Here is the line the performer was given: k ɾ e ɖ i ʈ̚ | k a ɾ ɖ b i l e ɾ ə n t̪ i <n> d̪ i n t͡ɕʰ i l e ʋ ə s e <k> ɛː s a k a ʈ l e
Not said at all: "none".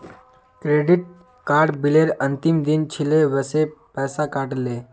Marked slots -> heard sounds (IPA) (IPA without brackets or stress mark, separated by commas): m, p